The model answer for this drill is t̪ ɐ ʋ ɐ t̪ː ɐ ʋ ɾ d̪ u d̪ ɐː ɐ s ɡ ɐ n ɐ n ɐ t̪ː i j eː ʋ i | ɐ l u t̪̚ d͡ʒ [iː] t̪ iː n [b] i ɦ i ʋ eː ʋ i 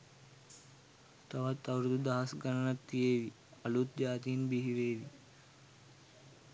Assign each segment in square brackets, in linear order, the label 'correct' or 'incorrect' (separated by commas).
incorrect, correct